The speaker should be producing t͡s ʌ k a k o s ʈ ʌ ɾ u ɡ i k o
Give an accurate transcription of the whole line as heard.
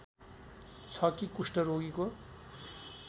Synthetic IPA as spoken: t͡sʰ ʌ k i k u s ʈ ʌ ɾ o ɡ i k o